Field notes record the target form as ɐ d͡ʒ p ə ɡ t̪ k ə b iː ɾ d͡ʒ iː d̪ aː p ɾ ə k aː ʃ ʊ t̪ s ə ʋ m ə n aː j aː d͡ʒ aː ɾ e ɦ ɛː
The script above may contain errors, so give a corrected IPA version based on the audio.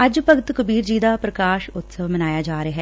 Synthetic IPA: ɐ d͡ʒ p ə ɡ t̪ k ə b iː ɾ d͡ʒ iː d̪ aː p ɾ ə k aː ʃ ʊ t̪ s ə ʋ m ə n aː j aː d͡ʒ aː ɾ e ɦ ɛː